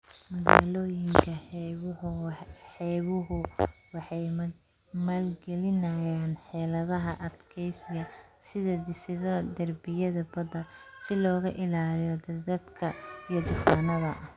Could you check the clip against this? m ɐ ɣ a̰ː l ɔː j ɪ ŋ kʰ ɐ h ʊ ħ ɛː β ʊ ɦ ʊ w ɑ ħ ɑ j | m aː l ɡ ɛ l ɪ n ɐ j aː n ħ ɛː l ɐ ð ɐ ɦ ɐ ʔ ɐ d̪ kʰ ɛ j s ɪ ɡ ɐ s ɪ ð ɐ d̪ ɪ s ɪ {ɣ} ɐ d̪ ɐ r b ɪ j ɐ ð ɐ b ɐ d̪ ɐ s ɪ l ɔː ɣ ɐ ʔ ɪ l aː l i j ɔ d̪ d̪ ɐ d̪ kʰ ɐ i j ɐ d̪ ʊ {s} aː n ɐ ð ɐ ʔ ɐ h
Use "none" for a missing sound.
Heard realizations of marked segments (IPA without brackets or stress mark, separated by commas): ð, f